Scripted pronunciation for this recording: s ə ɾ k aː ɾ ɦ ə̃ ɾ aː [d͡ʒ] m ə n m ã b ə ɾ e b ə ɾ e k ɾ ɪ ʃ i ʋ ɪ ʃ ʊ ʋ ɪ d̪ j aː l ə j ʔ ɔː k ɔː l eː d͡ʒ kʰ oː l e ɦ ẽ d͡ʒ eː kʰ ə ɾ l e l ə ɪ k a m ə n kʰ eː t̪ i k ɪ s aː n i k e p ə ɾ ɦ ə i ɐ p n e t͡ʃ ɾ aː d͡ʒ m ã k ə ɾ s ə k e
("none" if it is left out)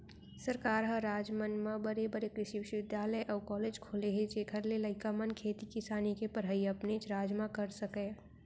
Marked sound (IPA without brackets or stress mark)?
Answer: d͡ʒ